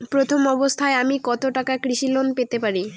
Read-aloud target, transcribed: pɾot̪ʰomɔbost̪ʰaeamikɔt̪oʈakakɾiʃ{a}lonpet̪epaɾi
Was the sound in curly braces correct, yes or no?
no